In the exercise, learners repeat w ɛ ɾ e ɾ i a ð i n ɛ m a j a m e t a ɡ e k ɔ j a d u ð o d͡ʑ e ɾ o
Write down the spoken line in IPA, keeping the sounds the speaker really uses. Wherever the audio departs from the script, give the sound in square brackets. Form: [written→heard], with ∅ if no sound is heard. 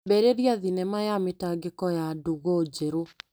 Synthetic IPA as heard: [w→b] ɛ ɾ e ɾ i a ð i n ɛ m a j a m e t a ɡ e k ɔ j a d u [ð→ɣ] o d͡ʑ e ɾ o